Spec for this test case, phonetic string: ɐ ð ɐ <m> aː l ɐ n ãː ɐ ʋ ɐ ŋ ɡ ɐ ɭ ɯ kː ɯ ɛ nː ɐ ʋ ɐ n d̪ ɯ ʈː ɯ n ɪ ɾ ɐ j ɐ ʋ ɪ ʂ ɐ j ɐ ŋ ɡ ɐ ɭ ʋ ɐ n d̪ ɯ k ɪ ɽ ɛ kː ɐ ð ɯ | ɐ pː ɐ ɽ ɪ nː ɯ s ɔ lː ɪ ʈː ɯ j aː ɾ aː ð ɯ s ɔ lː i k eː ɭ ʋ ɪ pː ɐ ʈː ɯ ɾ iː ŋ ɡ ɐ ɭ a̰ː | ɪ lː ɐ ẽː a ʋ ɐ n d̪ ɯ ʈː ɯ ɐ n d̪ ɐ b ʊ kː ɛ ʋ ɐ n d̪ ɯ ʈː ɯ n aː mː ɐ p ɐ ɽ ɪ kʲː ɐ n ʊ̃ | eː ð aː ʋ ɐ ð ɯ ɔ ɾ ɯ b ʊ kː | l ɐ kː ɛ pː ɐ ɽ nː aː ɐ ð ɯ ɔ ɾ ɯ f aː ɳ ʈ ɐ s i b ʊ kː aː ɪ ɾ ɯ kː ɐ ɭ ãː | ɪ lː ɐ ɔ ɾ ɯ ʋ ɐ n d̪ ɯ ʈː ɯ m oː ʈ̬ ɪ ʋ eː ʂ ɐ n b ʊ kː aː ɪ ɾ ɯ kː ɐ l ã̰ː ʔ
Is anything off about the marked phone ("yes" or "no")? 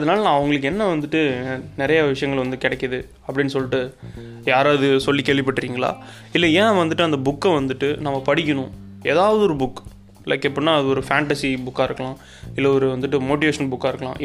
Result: yes